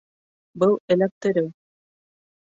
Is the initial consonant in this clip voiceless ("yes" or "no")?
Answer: no